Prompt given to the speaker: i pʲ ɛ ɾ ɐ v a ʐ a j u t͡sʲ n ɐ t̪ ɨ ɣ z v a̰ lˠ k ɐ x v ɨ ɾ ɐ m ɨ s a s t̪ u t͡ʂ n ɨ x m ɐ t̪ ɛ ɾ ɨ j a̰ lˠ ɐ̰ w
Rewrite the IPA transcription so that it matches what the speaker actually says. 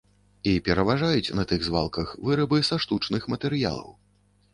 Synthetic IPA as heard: i pʲ ɛ ɾ ɐ v a ʐ a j u t͡sʲ n ɐ t̪ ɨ ɣ z v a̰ lˠ k ɐ x v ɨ ɾ ɐ b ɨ s a ʂ t̪ u t͡ʂ n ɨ x m ɐ t̪ ɛ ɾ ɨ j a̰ lˠ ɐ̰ w